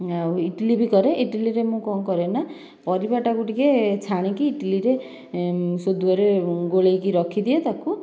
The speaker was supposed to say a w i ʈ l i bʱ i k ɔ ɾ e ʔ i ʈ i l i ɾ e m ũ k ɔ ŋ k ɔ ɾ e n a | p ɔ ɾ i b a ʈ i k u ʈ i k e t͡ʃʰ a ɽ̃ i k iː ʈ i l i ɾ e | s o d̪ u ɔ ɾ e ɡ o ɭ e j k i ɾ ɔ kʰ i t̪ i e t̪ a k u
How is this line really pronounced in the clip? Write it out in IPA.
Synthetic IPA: a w i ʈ l i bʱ i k ɔ ɾ e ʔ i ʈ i l i ɾ e m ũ k ɔ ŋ k ɔ ɾ e n a | p ɔ ɾ i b a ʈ a k u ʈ i k e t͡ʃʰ a ɽ̃ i k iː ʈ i l i ɾ e | s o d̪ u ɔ ɾ e ɡ o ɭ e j k i ɾ ɔ kʰ i d̪ i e t̪ a k u